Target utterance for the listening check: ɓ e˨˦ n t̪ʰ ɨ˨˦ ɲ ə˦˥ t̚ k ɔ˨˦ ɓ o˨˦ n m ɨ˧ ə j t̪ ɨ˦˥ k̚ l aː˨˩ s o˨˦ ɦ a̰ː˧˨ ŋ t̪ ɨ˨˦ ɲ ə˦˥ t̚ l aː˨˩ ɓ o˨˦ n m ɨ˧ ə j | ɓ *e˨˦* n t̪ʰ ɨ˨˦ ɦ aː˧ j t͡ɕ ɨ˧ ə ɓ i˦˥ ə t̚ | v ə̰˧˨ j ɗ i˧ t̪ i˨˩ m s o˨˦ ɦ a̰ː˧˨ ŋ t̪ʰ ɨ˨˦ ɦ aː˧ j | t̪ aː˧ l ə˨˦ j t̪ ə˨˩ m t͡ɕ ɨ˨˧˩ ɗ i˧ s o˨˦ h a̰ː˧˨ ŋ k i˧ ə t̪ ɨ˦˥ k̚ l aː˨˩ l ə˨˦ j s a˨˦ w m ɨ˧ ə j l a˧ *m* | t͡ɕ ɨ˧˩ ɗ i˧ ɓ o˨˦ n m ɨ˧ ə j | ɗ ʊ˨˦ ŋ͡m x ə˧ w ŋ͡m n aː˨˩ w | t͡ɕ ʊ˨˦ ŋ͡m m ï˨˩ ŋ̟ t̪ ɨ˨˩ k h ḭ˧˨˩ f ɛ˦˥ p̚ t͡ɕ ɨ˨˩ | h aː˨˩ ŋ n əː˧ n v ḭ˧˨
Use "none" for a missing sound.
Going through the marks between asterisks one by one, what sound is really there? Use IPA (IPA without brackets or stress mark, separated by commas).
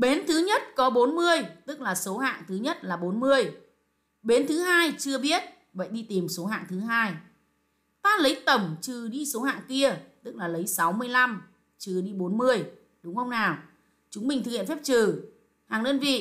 e˨˦, m